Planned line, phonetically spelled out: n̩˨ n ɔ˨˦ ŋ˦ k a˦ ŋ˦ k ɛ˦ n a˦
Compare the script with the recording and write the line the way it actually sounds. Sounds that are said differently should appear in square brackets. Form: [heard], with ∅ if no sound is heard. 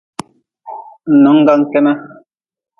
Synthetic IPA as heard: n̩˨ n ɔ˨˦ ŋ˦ [ɡ] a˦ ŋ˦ k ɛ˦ n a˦

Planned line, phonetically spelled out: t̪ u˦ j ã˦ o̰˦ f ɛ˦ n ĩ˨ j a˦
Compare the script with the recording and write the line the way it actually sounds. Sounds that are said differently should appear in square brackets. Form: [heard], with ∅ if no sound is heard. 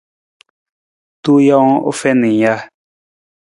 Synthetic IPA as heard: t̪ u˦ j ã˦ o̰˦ f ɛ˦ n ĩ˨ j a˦

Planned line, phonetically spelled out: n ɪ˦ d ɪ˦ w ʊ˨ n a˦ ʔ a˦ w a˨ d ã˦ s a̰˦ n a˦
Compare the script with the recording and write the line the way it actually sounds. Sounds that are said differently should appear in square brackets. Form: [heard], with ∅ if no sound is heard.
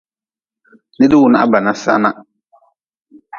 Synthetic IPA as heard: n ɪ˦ d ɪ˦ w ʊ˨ n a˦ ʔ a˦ [b] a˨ [n] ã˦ s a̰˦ n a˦

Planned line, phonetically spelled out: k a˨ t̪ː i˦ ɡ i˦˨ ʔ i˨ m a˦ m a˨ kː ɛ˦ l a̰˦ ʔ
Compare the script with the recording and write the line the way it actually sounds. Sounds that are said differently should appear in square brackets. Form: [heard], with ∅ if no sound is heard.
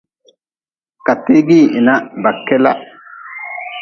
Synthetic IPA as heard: k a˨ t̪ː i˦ ɡ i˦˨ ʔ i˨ [n] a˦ [b] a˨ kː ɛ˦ l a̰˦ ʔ

